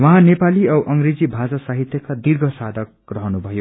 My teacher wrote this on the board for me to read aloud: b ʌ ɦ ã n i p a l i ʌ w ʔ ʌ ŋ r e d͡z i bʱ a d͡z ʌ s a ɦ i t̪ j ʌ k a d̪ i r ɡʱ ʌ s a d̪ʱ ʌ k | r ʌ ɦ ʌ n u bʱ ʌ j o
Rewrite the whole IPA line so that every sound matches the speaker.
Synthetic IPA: w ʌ ɦ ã n e p a l i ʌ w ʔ ʌ ŋ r e d͡z i bʱ a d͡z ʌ s a ɦ i t̪ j ʌ k a d̪ i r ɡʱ ʌ s a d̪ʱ ʌ k | r ʌ ɦ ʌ n u bʱ ʌ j o